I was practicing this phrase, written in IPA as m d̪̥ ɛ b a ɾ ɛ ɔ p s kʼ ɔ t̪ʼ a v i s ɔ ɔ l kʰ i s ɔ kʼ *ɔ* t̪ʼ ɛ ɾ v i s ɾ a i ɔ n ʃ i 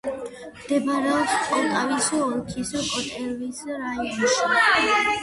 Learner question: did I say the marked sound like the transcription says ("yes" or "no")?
yes